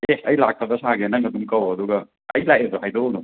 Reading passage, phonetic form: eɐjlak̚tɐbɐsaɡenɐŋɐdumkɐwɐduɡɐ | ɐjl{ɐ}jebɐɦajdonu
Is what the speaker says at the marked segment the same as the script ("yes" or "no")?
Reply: no